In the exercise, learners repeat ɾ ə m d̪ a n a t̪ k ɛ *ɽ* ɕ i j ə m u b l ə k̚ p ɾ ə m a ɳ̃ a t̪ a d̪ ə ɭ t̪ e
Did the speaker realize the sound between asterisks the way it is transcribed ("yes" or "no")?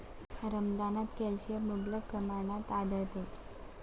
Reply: no